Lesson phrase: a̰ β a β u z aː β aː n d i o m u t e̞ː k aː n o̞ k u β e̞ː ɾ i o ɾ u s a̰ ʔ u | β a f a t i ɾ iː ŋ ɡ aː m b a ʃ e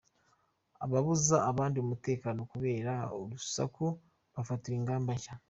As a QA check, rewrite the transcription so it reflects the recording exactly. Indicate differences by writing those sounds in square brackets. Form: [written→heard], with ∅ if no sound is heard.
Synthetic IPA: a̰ β a β u z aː β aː n d i o m u t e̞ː k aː n o̞ k u β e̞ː ɾ [i→a] o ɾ u s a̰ [ʔ→k] u | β a f a t i ɾ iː ŋ ɡ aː m b a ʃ [e→a]